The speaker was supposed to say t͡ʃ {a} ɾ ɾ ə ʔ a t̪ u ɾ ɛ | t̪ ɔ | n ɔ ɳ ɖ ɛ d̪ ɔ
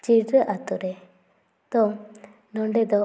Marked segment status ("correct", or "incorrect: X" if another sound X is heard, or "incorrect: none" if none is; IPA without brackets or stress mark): incorrect: i